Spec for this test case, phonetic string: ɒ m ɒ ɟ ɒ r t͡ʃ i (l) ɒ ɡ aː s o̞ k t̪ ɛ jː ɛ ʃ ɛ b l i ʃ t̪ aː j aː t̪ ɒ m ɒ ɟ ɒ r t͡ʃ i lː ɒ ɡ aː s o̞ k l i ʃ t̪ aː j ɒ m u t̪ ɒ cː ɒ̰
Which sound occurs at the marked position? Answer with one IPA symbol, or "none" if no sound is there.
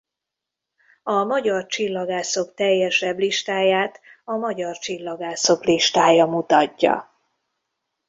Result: lː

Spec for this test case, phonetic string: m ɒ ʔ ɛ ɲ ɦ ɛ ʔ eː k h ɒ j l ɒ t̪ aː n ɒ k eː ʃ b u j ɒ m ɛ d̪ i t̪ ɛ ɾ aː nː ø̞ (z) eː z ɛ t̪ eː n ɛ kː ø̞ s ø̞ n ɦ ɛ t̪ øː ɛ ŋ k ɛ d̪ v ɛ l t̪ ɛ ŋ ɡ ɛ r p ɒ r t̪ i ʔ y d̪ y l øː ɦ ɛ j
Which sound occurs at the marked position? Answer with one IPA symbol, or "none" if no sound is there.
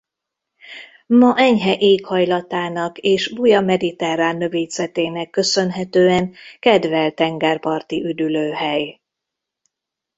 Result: v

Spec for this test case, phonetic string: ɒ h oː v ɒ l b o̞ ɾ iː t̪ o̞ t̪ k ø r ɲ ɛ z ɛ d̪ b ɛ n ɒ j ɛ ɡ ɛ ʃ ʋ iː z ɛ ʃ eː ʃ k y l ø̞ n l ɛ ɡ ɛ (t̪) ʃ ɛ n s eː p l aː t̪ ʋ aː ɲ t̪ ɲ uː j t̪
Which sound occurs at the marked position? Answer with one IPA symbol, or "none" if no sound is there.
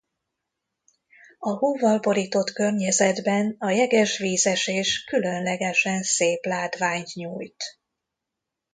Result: none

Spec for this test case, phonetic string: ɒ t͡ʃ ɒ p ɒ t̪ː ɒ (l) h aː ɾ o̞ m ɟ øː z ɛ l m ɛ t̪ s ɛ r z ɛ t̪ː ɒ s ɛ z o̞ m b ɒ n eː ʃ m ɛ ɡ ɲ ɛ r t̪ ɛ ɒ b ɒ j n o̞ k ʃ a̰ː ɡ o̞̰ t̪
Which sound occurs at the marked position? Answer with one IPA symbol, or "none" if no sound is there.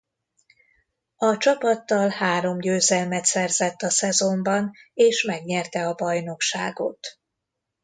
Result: l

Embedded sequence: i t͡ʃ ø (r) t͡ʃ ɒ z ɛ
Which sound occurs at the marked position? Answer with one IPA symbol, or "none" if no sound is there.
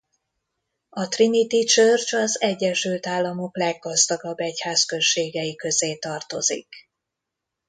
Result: r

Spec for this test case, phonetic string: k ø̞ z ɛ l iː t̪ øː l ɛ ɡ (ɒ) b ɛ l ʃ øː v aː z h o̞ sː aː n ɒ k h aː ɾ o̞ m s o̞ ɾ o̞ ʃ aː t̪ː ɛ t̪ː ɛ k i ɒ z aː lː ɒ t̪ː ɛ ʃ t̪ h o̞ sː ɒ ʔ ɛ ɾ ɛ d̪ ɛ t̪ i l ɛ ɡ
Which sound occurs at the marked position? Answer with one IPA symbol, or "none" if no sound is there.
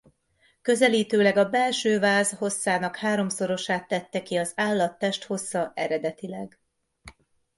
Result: ɒ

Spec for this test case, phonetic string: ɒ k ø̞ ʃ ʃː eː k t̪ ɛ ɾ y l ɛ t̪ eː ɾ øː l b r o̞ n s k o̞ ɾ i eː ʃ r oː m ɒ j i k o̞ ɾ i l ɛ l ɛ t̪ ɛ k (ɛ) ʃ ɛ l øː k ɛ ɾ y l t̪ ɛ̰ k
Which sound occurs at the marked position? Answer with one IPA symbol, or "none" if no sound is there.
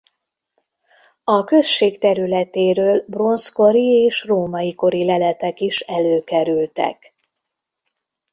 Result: i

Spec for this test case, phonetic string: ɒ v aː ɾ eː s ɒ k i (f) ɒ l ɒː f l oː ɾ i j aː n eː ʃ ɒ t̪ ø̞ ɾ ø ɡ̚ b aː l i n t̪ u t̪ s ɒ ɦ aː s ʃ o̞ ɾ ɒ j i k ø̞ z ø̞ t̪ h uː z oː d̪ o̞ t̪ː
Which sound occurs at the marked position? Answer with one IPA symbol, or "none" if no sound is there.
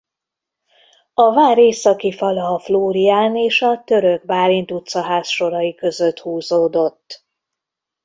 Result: f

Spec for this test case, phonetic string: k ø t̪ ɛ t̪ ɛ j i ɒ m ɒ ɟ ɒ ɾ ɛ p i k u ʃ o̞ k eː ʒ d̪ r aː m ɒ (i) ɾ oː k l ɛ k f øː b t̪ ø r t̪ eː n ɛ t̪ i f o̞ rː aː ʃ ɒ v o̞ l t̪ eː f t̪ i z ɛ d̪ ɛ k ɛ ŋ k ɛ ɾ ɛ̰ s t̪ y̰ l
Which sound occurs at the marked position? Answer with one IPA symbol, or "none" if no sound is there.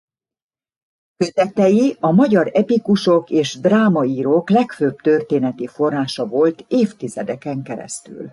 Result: iː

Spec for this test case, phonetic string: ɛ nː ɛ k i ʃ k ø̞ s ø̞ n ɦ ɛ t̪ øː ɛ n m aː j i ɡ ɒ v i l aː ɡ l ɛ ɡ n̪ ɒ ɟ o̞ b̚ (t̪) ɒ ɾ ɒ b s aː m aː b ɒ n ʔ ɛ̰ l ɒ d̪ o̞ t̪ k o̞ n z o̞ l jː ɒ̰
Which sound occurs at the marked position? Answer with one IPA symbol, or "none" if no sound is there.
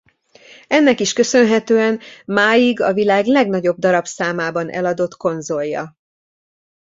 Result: d̪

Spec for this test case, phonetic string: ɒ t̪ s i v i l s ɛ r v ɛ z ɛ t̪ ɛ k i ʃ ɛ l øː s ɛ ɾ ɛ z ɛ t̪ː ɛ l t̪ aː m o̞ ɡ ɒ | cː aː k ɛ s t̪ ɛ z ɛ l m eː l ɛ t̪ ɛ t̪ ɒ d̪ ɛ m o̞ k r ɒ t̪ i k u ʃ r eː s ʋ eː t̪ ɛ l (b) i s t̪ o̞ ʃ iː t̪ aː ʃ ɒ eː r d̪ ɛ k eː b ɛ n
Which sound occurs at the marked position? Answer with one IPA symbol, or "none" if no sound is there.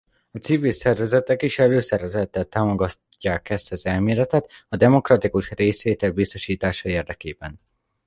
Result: b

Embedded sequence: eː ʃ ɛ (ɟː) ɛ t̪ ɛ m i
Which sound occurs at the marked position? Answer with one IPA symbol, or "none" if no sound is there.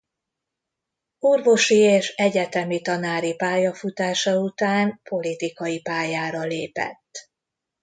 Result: ɟ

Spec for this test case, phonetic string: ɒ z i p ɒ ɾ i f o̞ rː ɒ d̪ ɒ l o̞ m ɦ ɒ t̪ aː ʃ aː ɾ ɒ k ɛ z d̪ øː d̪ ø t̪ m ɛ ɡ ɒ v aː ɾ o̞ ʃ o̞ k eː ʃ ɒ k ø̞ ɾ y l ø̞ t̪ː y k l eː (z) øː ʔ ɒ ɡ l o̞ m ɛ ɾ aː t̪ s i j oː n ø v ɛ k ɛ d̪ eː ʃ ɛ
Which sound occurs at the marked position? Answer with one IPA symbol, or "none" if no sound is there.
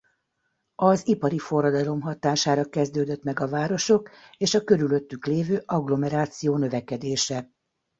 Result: v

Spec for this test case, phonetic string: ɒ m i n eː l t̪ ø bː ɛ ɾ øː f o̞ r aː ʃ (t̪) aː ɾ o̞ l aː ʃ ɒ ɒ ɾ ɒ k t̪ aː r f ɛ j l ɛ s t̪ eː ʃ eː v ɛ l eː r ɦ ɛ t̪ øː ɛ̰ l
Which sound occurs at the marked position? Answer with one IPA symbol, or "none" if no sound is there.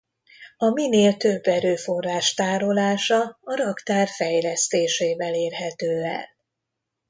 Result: t̪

